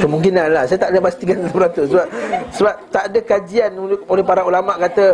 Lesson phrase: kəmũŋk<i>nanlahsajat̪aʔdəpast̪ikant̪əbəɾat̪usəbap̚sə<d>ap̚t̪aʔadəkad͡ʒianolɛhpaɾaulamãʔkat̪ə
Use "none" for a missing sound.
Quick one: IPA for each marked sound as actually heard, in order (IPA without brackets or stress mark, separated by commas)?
i, b